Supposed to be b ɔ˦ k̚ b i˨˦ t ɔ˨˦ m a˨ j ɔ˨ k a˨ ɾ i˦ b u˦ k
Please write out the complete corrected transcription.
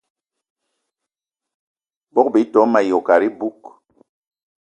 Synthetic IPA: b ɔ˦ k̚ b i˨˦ t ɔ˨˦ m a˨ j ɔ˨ k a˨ ɾ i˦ b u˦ k